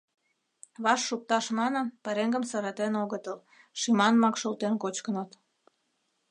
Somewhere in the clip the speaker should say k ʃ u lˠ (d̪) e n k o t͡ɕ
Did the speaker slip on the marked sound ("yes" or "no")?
yes